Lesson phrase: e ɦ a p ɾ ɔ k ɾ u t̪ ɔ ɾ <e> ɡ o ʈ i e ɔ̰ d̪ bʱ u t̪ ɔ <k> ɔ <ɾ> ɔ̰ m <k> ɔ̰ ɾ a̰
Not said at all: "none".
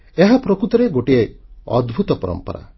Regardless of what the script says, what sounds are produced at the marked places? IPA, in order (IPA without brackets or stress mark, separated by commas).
e, p, ɾ, p